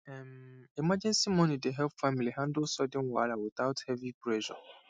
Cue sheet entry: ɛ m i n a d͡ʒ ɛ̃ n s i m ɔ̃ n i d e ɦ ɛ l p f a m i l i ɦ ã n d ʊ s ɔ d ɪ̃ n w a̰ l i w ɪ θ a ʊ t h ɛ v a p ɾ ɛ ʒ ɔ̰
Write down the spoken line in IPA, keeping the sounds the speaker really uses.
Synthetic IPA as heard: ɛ m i m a d͡ʒ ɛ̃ n s i m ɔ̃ n i d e ɦ ɛ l p f a m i l i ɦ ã n d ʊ s ɔ d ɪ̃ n w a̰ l a w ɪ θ a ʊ t h ɛ v i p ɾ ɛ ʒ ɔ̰